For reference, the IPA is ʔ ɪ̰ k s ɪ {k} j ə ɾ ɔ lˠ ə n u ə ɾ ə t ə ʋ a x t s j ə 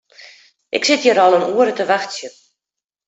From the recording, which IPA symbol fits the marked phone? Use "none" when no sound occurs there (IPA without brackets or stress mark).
t